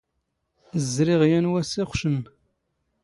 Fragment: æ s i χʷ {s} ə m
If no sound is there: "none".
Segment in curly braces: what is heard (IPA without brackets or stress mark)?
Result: ʃ